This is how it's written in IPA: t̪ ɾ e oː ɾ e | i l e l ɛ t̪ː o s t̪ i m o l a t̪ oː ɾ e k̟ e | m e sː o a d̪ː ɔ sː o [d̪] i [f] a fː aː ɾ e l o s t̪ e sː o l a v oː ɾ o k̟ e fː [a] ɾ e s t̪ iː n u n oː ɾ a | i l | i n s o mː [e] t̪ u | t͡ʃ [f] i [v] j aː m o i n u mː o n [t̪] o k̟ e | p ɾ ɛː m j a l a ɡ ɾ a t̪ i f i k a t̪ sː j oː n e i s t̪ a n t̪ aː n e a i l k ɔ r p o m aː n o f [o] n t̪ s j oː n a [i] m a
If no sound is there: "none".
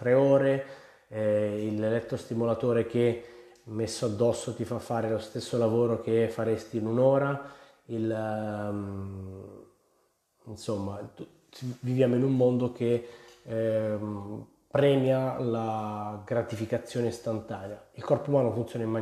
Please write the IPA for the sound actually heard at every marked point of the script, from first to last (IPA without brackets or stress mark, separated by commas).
t̪, f, a, a, v, v, d̪, u, i